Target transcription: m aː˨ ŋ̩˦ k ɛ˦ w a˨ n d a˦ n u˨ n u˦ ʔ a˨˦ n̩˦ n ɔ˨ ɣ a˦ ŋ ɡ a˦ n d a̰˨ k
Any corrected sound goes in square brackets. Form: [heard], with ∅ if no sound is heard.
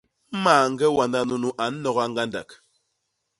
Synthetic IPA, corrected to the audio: m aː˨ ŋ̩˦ [ɡ] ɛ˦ w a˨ n d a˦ n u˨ n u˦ ʔ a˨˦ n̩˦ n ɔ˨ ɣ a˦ ŋ ɡ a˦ n d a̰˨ k